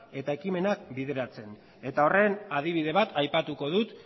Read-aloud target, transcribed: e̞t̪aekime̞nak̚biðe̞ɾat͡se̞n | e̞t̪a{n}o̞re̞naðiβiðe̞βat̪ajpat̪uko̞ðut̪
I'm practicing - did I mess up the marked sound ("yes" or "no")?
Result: yes